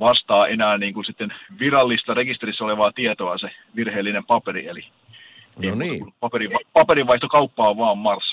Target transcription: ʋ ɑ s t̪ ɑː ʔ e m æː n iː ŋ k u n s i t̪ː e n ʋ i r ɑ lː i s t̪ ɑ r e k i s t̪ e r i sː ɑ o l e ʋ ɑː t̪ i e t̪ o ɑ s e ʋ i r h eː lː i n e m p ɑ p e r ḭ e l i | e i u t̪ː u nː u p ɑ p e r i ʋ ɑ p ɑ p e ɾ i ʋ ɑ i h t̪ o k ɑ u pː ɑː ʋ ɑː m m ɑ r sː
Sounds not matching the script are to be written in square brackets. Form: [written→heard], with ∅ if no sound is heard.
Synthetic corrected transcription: ʋ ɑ s t̪ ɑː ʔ e [m→n] æː n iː ŋ k u n s i t̪ː e n ʋ i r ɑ lː i s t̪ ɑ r e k i s t̪ e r i sː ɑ o l e ʋ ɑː t̪ i e t̪ o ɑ s e ʋ i r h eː lː i n e m p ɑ p e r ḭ e l i | e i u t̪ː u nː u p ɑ p e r i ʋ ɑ p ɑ p e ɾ i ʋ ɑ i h t̪ o k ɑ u pː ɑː ʋ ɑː m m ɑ r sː